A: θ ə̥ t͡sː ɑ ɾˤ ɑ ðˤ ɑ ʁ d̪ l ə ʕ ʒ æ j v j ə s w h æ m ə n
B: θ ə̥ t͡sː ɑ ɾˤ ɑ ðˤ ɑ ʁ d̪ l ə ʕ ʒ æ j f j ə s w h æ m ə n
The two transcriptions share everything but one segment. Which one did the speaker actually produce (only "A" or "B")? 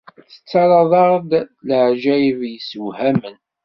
A